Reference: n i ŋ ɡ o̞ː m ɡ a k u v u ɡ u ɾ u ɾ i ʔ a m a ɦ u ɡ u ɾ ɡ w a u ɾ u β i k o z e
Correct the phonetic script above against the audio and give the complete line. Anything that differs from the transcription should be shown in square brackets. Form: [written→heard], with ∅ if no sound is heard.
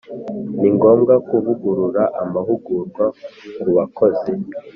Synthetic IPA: n i ŋ ɡ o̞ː m ɡ a k u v u ɡ u ɾ u ɾ [i→a] ʔ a m a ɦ u ɡ u ɾ ɡ w a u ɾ u β [i→a] k o z e